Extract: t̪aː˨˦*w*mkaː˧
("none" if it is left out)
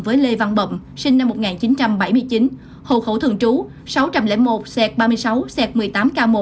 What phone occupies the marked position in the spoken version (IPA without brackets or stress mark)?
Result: none